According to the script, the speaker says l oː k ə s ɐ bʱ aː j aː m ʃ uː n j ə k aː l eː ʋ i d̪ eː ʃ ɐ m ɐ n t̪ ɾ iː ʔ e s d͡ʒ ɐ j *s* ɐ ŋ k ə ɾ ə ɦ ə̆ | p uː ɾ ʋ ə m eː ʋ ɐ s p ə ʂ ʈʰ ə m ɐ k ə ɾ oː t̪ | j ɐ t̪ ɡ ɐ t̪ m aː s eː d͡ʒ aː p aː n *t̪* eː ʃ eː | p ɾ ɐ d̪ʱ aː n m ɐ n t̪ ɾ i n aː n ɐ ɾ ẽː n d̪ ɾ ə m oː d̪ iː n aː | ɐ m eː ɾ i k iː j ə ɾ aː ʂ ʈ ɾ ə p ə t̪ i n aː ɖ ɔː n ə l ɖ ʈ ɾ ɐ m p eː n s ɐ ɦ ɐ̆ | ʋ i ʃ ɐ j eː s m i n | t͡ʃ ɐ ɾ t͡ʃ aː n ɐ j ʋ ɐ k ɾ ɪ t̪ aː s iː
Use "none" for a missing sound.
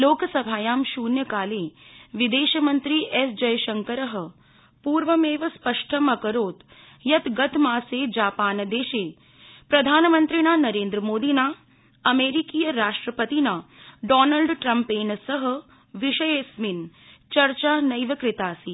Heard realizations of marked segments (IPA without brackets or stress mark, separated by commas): ʃ, d̪